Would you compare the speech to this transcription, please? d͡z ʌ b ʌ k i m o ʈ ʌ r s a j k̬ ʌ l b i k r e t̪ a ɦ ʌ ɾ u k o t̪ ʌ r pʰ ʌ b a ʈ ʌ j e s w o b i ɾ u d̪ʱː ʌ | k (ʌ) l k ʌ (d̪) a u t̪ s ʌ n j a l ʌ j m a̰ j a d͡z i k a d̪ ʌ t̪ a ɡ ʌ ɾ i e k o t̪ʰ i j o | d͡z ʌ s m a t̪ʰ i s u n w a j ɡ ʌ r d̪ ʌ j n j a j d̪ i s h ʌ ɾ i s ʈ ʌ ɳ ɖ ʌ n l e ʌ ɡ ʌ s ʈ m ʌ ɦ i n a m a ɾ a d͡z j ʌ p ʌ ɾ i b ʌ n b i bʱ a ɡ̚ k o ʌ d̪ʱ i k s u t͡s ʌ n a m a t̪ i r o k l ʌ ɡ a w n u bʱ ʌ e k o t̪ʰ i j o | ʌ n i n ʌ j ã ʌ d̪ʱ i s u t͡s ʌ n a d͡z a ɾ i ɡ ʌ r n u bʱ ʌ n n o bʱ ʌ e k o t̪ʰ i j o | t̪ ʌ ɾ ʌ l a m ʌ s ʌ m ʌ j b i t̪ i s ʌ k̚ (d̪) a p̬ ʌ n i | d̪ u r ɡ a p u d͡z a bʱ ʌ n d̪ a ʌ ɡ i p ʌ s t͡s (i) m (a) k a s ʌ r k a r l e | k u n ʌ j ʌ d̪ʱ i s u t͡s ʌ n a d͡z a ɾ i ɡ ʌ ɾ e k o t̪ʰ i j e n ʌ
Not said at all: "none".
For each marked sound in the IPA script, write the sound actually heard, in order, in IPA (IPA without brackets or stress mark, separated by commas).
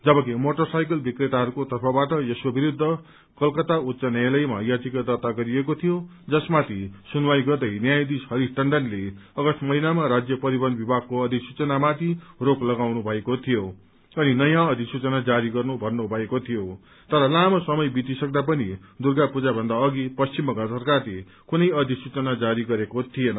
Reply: ʌ, t̪, d̪, i, ʌ